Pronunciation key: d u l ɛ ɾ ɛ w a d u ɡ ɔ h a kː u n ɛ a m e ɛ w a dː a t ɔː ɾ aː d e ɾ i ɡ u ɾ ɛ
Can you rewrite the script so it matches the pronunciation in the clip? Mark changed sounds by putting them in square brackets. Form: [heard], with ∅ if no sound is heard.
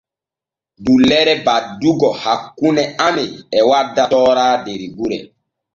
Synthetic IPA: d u l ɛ ɾ ɛ [b] a d u ɡ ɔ h a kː u n ɛ a m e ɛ w a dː a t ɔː ɾ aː d e ɾ i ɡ u ɾ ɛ